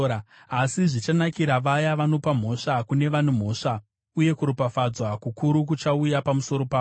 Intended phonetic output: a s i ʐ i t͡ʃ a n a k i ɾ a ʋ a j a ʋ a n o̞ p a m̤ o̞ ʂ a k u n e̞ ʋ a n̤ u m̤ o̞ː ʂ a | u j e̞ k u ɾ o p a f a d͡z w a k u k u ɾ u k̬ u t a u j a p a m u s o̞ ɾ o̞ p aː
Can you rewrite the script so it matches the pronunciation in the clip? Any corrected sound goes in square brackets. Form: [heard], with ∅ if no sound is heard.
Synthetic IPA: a s i ʐ i t͡ʃ a n a k i ɾ a ʋ a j a ʋ a n o̞ p a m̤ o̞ ʂ a k u n e̞ ʋ a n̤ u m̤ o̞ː ʂ a | u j e̞ k u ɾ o p a f a d͡z w a k u k u ɾ u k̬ u [t͡ʃ] a u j a p a m u s o̞ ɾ o̞ p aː